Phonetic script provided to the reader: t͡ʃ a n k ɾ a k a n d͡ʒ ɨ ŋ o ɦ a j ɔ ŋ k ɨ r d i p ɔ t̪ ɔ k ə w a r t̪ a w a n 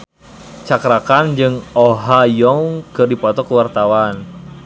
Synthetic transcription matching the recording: t͡ʃ a k ɾ a k a n d͡ʒ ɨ ŋ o ɦ a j ɔ ŋ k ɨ r d i p ɔ t̪ ɔ k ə w a r t̪ a w a n